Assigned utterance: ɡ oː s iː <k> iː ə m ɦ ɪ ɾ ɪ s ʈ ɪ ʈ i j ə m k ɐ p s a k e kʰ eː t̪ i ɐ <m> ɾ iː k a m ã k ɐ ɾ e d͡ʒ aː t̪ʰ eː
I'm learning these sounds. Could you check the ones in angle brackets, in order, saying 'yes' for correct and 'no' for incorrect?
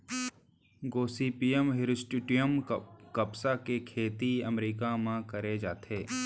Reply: no, yes

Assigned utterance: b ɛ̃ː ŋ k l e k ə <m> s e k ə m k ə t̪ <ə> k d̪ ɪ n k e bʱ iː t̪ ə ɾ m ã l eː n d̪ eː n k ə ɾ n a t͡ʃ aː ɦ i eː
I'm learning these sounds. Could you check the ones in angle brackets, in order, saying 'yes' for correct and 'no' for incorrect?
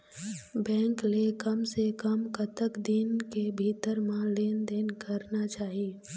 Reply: yes, yes

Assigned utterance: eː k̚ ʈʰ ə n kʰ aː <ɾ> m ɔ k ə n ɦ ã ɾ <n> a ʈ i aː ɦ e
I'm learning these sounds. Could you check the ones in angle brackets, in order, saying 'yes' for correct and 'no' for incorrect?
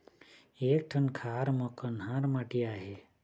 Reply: yes, no

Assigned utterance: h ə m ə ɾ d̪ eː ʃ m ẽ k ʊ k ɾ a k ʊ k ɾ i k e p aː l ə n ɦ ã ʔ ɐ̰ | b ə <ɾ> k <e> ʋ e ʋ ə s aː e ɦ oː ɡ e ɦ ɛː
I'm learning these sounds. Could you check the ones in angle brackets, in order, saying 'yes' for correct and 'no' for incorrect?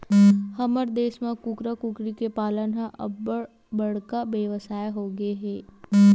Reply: no, no

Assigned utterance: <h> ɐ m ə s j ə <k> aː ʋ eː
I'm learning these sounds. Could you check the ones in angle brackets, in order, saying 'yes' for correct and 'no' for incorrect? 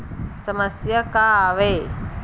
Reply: no, yes

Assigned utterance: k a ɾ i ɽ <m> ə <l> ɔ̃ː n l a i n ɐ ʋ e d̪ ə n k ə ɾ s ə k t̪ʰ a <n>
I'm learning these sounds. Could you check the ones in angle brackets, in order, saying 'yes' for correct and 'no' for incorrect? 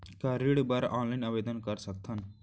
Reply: no, no, yes

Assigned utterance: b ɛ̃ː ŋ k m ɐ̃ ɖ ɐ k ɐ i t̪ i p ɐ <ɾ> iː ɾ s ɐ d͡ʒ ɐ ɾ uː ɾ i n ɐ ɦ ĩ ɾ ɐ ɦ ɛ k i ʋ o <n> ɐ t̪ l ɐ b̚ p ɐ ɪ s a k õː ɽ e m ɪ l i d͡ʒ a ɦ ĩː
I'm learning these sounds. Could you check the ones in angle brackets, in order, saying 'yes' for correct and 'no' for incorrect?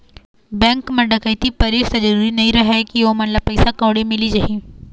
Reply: yes, no

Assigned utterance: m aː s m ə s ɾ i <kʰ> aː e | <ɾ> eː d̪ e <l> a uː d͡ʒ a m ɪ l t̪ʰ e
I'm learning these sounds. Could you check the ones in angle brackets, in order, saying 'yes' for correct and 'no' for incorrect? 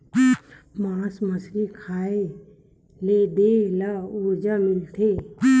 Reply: yes, no, yes

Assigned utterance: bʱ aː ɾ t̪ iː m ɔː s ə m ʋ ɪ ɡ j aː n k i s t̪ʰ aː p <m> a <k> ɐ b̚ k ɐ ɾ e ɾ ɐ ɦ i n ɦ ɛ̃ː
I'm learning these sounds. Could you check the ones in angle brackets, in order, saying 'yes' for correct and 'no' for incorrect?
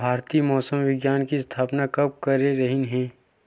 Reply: no, yes

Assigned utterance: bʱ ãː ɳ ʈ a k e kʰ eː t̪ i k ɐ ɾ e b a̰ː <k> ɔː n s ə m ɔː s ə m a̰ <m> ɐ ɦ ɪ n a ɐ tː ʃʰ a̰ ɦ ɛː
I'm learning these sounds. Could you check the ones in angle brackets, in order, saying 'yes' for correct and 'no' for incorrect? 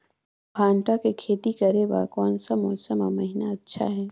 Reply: yes, yes

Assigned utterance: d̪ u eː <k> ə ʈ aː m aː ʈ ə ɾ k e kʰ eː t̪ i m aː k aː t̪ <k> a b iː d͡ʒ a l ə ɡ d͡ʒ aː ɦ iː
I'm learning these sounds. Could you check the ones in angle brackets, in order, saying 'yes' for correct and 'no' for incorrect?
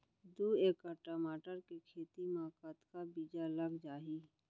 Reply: yes, yes

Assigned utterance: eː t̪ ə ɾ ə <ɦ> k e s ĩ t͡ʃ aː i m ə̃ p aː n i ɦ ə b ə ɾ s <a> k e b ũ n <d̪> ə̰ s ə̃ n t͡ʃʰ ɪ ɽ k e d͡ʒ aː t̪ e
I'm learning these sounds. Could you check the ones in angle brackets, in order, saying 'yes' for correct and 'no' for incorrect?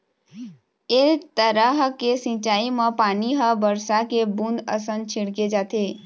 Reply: yes, yes, yes

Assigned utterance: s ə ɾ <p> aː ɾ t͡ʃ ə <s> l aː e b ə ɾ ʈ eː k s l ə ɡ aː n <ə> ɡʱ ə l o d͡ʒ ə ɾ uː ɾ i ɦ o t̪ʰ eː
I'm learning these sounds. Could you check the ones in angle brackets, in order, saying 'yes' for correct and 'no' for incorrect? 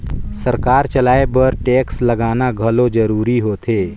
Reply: no, no, no

